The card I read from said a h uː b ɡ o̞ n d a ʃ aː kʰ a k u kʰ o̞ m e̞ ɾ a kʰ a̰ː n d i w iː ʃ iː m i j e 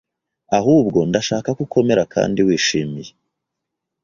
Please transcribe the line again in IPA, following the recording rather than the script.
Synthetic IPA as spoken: a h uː b ɡ o̞ n d a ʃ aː k a k u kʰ o̞ m e̞ ɾ a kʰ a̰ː n d i w iː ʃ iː m i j e